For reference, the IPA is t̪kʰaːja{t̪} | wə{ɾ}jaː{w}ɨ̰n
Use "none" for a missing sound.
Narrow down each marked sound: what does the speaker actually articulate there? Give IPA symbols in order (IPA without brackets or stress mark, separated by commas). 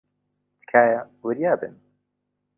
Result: none, ɾ, b